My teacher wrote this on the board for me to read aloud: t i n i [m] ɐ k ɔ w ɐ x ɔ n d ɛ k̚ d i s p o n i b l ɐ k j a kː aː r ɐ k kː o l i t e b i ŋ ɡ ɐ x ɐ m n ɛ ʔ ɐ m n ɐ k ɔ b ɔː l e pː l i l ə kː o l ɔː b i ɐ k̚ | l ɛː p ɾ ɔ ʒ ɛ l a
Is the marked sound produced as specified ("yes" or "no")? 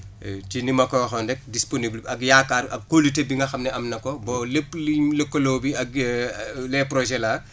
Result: yes